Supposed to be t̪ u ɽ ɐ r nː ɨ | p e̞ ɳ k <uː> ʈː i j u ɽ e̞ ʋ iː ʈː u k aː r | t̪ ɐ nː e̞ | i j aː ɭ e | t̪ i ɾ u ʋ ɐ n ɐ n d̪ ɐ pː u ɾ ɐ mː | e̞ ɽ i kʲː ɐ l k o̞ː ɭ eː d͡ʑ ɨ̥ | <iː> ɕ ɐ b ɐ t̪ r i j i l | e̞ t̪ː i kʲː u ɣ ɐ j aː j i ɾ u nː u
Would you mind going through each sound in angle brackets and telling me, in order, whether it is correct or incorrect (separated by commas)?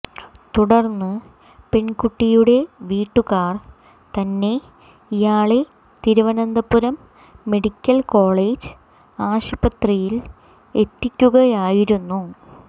incorrect, incorrect